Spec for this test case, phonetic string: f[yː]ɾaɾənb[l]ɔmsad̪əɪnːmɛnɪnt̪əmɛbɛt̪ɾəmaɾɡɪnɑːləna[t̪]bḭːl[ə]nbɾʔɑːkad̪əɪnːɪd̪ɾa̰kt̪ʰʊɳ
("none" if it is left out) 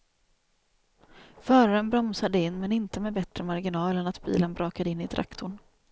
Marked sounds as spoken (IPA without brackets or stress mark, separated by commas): œː, ɾ, t̪, ə